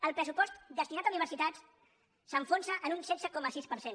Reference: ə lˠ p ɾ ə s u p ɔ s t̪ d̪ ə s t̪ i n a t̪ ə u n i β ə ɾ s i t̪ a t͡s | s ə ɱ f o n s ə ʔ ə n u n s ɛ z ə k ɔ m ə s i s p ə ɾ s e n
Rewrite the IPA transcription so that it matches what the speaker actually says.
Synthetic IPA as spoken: ə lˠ p ɾ ə s u p ɔ s t̪ d̪ ə s t̪ i n a t̪ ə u n i β ə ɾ s i t̪ a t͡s | s ə ɱ f o n s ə ʔ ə n u n s ɛ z ə k ɔ m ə s i s p ə ɾ s e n